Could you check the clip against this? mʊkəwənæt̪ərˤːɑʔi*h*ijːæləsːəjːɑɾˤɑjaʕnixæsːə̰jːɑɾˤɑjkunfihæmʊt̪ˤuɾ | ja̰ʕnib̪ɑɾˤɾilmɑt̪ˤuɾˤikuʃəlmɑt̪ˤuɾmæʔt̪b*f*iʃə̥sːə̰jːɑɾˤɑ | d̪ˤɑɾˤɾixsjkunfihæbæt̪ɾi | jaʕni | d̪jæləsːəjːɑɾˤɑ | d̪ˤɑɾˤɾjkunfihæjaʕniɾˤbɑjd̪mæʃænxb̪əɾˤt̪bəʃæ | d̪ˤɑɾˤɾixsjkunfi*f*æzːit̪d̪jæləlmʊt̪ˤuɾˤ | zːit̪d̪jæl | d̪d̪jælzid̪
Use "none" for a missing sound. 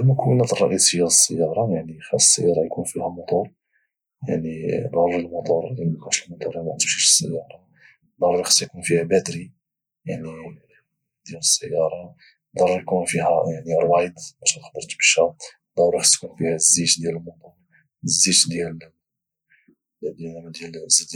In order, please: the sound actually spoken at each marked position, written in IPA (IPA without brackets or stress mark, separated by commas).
s, ʃ, h